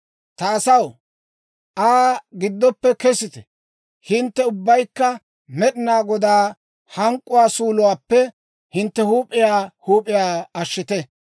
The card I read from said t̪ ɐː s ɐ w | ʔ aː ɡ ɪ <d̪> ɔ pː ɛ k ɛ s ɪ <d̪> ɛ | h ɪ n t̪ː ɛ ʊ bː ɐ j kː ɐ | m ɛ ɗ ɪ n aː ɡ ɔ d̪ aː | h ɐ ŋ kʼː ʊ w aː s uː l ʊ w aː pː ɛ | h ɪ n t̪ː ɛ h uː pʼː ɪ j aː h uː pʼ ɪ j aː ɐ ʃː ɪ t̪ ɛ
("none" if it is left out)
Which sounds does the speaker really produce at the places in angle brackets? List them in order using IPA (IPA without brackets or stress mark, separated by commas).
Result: d̪ː, t̪